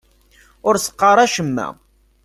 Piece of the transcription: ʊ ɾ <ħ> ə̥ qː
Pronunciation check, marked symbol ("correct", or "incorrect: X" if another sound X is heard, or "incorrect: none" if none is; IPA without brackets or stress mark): incorrect: s